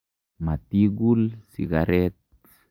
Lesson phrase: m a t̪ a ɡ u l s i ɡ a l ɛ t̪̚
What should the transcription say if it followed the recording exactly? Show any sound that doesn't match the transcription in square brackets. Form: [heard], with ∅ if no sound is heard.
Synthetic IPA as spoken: m a t̪ [i] ɡ u l s i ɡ a [ɾ] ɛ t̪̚

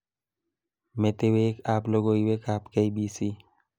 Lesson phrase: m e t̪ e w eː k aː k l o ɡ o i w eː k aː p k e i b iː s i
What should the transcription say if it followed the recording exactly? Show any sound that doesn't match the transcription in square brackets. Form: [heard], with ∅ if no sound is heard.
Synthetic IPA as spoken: m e t̪ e w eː k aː [p] l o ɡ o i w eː k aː p k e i b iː s i

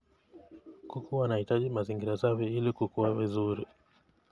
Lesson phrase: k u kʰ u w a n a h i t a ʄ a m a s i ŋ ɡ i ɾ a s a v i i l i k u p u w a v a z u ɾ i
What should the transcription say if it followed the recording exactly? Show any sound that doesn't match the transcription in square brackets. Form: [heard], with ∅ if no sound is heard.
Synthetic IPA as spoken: k u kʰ u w a n a h i t a ʄ [i] m a [z] i ŋ ɡ i ɾ a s a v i i l i k u [k] u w a v [i] z u ɾ i

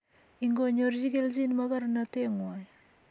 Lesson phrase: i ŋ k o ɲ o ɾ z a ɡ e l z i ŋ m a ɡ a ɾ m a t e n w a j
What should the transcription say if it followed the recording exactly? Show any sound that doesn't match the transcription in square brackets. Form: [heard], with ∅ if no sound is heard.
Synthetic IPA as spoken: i ŋ [ɡ] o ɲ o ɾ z [i] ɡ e l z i [n] m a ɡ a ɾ [n] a t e [ŋ] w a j

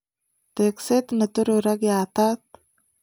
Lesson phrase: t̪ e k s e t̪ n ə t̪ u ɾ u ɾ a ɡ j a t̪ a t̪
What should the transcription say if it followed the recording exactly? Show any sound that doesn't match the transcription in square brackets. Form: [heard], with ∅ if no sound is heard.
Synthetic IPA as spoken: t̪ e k s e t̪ n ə t̪ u ɾ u ɾ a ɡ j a t̪ a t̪

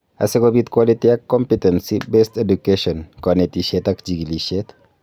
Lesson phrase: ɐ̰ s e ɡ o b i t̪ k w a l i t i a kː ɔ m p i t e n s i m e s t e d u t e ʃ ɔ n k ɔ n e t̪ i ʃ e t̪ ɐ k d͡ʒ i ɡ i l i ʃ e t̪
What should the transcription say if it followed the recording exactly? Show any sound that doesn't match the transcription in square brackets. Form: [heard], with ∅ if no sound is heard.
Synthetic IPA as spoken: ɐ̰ s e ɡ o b i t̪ k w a l i t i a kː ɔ m p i t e n s i [b] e s t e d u [k] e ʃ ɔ n k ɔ n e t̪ i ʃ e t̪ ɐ k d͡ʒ i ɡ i l i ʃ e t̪

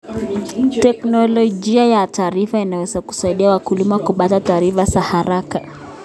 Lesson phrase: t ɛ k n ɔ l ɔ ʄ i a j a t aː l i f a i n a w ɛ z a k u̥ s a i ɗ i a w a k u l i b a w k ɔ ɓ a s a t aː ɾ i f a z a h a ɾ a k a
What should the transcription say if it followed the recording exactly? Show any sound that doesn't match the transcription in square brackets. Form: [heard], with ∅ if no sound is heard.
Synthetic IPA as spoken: t ɛ k n ɔ l ɔ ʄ i a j a t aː [ɾ] i f a i n a w ɛ z a k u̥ s a i ɗ i a w a k u l i [m] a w k [u] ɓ a [t] a t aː ɾ i f a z a h a ɾ a k a

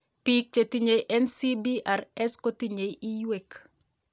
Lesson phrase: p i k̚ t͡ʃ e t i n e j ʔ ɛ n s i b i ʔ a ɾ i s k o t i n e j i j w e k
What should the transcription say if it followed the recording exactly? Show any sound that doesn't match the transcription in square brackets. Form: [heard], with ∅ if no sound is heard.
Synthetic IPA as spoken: p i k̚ t͡ʃ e t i [ɲ] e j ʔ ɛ n s i b i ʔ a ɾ [ɛ] s k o t i [ɲ] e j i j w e k

